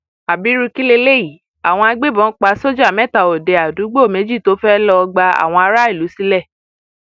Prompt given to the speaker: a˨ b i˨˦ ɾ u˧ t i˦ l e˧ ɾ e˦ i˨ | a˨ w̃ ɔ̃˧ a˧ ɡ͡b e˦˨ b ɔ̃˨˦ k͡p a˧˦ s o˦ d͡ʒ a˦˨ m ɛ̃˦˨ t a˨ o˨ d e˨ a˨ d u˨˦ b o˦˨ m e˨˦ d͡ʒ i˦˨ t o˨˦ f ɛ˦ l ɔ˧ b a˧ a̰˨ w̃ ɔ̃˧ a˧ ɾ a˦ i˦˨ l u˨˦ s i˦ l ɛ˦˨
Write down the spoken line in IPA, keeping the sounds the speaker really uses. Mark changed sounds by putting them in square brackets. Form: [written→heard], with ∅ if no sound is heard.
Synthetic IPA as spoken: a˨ b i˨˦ ɾ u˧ [t→k] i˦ l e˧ [ɾ→l] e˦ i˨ | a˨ w̃ ɔ̃˧ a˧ ɡ͡b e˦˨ b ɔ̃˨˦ k͡p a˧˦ s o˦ d͡ʒ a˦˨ m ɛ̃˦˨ t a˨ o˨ d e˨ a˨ d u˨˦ [b→ɡ͡b] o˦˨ m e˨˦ d͡ʒ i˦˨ t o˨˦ f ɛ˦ l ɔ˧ [b→ɡ͡b] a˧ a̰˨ w̃ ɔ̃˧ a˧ ɾ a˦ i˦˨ l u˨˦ s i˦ l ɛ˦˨

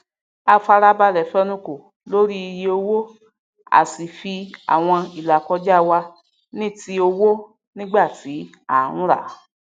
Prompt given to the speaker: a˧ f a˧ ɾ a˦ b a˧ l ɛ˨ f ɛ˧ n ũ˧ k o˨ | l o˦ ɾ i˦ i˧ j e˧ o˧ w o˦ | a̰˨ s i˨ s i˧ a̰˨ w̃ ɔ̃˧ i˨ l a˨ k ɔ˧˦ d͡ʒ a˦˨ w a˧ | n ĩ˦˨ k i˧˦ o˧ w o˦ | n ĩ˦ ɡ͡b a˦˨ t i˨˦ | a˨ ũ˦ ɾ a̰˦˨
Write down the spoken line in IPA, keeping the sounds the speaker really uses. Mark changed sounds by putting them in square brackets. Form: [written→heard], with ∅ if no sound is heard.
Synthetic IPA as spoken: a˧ f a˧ ɾ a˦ b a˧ l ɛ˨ f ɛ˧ n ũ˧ k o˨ | l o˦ ɾ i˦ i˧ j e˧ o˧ w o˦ | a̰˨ s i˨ [s→f] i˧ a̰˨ w̃ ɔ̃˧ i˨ l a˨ k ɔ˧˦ d͡ʒ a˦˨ w a˧ | n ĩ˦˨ [k→t] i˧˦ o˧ w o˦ | n ĩ˦ ɡ͡b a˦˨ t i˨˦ | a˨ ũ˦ ɾ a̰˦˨

